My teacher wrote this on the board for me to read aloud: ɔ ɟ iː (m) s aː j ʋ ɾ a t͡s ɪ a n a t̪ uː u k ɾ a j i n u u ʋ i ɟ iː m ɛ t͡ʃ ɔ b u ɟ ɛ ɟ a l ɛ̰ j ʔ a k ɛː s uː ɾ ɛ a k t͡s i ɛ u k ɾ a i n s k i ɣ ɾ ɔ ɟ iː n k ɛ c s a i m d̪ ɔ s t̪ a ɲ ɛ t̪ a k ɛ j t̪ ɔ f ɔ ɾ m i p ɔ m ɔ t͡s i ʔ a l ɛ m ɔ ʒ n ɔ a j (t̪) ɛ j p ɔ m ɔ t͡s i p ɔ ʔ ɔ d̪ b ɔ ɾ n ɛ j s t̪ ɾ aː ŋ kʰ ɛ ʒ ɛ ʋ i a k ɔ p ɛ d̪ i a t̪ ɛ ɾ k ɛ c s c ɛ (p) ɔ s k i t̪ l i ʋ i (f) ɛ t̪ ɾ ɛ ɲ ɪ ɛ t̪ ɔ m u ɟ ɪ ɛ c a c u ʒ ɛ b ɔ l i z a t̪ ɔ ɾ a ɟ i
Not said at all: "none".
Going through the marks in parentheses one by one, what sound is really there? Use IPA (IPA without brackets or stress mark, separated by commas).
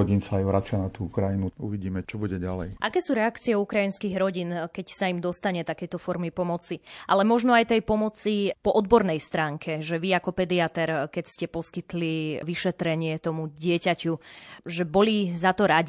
n, t̪, p, ʃ